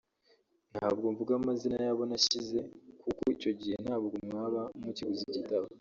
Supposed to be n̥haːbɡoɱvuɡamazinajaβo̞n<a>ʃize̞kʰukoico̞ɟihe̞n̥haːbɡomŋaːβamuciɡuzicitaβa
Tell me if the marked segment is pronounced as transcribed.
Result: yes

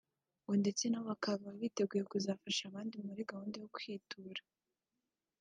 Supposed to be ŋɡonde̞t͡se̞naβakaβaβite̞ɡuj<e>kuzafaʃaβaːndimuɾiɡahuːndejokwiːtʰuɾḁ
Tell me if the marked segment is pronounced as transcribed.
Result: yes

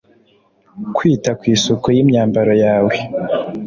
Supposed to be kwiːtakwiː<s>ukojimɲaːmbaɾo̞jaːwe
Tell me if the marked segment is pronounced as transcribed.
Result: yes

